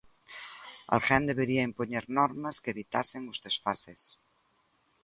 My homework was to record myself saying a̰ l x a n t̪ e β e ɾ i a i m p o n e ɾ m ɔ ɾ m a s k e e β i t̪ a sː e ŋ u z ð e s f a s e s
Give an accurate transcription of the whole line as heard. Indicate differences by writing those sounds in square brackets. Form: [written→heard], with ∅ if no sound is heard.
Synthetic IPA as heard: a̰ l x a n [t̪→d̪] e β e ɾ i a i m p o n e ɾ [m→n] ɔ ɾ m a s k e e β i t̪ a [sː→s] e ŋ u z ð e s f a s e s